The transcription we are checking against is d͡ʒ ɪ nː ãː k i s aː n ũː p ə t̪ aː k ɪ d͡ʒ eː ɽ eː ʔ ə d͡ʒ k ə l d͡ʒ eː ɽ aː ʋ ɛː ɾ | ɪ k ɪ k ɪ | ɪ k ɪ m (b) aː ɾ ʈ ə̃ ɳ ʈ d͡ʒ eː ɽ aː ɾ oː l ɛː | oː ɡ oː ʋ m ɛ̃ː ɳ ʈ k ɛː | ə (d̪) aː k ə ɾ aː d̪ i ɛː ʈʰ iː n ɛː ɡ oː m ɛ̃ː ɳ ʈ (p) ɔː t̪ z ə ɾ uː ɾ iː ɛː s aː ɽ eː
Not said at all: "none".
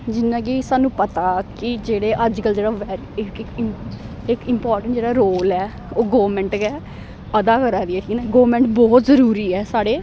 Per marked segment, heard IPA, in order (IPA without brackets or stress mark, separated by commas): p, d̪, b